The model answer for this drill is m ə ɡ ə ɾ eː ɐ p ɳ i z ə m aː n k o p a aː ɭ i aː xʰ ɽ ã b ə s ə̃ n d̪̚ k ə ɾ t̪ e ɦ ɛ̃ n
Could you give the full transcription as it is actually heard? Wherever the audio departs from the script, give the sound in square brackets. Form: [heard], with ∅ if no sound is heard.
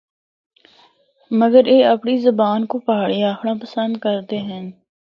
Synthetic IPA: m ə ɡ ə ɾ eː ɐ p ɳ i z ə [b] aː n k o p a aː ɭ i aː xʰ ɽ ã [p] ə s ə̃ n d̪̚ k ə ɾ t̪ e ɦ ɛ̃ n